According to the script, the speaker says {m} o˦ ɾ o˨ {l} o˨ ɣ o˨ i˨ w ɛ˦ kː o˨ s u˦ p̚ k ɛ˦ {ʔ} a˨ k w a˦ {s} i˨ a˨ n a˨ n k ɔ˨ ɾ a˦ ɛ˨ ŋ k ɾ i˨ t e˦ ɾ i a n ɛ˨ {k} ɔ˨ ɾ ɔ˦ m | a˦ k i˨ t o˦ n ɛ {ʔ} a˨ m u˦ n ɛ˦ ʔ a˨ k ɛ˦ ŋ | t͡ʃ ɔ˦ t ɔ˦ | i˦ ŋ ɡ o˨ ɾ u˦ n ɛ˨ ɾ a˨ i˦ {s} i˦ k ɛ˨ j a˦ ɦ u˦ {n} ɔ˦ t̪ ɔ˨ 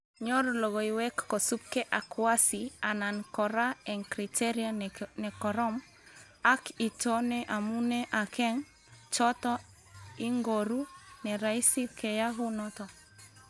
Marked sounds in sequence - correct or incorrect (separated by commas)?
incorrect, correct, correct, correct, correct, correct, correct, correct